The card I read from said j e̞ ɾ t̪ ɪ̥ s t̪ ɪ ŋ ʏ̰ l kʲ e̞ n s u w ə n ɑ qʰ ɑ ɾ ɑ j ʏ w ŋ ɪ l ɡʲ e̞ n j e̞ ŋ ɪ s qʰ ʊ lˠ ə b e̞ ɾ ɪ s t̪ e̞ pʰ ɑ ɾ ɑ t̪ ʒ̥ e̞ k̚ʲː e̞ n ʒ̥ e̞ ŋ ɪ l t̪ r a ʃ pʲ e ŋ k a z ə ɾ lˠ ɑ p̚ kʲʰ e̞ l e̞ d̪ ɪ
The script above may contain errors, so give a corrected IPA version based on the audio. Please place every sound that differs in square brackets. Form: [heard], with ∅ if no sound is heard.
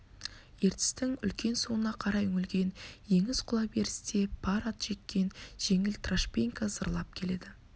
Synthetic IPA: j e̞ ɾ t̪ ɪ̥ s t̪ ɪ ŋ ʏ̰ l kʲ e̞ n s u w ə n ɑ qʰ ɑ ɾ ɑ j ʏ [∅] ŋ ɪ l ɡʲ e̞ n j e̞ ŋ ɪ [z] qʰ ʊ lˠ [ɑ] b e̞ ɾ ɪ s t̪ e̞ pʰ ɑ ɾ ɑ t̪ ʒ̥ e̞ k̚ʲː e̞ n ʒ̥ e̞ ŋ ɪ l t̪ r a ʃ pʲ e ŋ k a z ə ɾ lˠ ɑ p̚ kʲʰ e̞ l e̞ d̪ ɪ